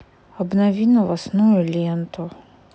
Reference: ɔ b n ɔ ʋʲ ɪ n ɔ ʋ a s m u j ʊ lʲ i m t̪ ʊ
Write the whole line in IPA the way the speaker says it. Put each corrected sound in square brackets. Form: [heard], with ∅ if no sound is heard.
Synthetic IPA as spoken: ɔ b n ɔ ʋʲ [i] n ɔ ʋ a s [n] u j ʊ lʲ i [n] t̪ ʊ